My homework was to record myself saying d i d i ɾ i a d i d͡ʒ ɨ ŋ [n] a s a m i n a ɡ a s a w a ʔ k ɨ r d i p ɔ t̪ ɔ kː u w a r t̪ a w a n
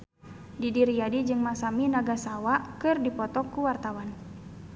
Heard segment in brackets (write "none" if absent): m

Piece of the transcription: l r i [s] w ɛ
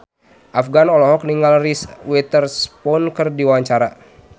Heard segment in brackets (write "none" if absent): s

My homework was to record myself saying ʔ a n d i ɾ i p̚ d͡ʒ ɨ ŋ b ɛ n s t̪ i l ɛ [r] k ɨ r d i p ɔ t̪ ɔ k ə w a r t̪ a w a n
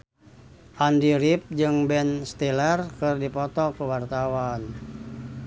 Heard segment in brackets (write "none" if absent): r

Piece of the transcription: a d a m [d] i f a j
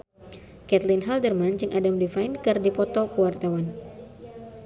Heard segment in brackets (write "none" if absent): d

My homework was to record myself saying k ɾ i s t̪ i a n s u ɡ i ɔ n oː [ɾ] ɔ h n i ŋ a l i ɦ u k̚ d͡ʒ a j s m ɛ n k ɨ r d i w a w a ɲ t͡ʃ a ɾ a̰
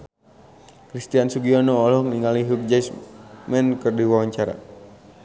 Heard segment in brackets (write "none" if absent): l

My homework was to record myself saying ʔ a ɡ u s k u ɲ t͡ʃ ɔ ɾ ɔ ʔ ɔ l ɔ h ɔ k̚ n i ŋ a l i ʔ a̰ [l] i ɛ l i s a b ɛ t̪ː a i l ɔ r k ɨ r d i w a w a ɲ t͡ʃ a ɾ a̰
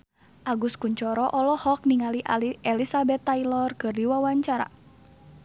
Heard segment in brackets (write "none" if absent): l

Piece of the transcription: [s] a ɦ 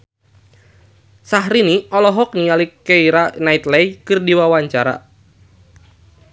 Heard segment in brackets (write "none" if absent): s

